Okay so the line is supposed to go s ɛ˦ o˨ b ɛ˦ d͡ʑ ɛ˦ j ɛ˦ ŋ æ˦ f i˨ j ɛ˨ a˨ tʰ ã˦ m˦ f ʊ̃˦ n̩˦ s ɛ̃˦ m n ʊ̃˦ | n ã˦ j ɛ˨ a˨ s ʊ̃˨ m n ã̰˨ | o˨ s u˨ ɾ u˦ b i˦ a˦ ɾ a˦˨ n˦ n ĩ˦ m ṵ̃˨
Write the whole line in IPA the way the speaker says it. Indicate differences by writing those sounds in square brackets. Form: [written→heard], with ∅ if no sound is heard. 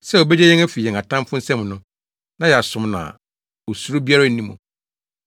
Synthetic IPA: s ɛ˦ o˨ b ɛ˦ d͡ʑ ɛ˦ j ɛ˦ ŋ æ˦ f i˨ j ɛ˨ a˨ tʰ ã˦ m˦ f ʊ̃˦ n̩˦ s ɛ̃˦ m n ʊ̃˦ | n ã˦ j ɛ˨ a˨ s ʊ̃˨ m n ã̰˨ | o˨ s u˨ ɾ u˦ b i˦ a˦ ɾ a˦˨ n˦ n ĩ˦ m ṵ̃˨

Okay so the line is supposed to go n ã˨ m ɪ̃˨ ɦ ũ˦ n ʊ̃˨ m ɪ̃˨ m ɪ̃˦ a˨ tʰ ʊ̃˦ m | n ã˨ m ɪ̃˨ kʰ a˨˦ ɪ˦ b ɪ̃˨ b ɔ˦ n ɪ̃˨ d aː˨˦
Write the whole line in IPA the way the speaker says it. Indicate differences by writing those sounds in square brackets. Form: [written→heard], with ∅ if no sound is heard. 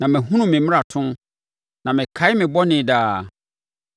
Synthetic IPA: n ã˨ m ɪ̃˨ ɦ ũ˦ n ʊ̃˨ m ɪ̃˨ m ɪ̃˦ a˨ tʰ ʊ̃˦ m | n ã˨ m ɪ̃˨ kʰ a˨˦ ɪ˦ [b→m] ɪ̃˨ b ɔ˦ n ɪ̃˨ d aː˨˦

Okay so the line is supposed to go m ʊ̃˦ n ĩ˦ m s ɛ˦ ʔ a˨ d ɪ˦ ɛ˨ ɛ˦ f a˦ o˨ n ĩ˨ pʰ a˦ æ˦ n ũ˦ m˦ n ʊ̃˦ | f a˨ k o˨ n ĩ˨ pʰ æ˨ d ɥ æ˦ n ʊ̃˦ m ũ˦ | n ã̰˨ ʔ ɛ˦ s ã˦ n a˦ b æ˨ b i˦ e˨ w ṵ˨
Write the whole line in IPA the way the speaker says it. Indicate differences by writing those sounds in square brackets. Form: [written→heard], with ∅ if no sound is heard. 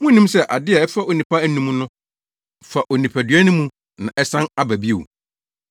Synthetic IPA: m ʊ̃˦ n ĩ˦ m s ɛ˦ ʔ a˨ d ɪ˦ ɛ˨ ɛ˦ f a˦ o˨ n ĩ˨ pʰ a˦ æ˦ n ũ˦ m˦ n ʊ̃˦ | f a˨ [k→ʔ] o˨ n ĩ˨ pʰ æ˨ d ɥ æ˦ n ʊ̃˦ m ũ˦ | n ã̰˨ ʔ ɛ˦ s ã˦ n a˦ b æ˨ b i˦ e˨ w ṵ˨

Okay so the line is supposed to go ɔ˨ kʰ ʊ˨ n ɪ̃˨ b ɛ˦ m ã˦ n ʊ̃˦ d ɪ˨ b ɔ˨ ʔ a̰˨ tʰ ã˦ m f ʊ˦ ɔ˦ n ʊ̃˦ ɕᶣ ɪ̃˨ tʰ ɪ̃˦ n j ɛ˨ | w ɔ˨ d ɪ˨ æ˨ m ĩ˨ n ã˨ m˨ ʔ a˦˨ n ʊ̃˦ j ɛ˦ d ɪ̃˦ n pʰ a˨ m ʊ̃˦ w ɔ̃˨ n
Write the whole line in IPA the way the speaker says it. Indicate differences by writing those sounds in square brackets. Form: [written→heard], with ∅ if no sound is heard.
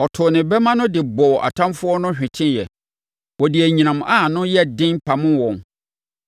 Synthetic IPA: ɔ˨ [kʰ→tʰ] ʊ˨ n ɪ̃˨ b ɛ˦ m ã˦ n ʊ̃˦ d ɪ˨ b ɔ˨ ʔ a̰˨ tʰ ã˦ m f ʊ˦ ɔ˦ n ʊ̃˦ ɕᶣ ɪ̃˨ tʰ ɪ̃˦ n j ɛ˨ | w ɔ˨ d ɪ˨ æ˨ [m→ɲ] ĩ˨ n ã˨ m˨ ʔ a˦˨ n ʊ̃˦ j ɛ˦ d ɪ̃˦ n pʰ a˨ m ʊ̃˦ w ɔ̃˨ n

